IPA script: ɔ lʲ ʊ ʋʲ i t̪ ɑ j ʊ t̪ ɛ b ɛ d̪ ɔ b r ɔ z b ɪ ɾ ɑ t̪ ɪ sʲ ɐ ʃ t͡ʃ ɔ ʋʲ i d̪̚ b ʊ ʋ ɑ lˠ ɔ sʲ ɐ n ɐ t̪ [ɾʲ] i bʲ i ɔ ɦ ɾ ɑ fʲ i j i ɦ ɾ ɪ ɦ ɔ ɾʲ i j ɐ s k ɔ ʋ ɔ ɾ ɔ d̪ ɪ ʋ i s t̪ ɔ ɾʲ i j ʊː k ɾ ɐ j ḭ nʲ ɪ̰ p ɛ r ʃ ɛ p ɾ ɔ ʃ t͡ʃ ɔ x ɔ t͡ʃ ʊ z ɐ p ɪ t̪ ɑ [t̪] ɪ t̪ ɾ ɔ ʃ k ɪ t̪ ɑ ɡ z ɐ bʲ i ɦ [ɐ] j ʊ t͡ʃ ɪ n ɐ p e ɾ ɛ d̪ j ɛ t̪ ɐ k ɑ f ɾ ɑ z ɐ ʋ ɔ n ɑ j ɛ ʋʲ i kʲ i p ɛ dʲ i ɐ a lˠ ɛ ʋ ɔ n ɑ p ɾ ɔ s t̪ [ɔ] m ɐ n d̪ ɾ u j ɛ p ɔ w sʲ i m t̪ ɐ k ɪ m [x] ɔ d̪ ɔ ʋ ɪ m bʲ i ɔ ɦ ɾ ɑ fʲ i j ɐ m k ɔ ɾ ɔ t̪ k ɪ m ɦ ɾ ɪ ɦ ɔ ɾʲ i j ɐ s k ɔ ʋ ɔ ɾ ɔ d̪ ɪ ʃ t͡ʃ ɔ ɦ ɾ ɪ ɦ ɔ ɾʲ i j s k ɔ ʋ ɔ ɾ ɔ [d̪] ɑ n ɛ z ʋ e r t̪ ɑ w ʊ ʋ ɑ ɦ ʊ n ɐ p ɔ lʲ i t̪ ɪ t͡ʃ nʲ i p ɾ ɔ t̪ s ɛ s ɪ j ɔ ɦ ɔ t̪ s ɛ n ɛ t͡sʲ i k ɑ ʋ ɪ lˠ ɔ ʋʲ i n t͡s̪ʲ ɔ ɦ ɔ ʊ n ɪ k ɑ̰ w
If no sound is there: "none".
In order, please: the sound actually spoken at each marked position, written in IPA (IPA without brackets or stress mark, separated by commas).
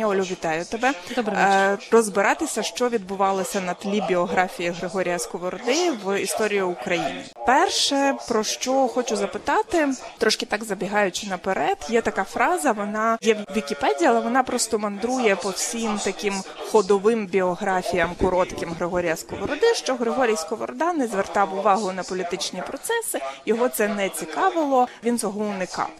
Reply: lʲ, t̪, ɑ, ɔ, x, d̪